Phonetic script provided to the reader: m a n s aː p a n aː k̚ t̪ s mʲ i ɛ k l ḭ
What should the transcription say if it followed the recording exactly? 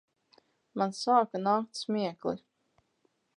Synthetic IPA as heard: m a n s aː k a n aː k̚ t̪ s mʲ i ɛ k l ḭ